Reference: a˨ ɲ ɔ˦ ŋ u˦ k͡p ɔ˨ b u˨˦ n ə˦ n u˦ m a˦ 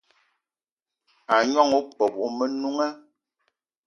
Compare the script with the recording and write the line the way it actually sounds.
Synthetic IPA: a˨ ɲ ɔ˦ ŋ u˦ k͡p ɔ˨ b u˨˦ m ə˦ n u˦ ŋ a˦

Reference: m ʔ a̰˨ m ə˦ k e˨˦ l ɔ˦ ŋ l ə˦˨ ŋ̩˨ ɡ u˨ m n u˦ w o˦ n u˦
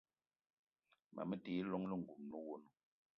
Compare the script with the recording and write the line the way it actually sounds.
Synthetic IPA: m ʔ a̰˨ m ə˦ t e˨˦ l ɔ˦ ŋ l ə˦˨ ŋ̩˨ ɡ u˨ m n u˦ w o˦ n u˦

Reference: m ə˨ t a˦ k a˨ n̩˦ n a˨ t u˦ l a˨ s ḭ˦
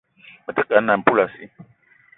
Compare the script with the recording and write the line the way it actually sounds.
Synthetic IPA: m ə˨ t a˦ k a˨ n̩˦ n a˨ p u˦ l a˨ s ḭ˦

